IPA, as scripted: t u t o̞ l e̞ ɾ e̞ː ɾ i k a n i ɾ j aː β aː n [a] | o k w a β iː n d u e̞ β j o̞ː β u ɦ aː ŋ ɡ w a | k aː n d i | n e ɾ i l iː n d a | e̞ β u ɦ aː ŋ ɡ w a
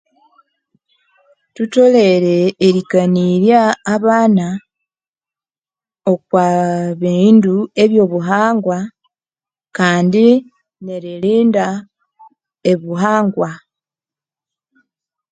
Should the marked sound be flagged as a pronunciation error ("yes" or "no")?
no